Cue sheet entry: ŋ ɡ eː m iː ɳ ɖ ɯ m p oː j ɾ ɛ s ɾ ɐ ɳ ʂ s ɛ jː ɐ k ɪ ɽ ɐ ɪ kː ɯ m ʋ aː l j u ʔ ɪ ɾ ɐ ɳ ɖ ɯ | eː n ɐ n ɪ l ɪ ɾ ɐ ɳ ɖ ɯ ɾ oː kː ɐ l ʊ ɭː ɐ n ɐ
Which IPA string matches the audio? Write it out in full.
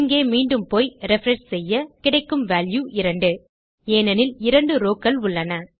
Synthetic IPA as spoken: ŋ ɡ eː m iː ɳ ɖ ɯ m p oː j ɾ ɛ f ɾ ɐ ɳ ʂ s ɛ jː ɐ k ɪ ɽ ɐ ɪ kː ɯ m ʋ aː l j u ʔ ɪ ɾ ɐ ɳ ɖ ɯ | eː n ɐ n ɪ l ɪ ɾ ɐ ɳ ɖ ɯ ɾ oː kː ɐ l ʊ ɭː ɐ n ɐ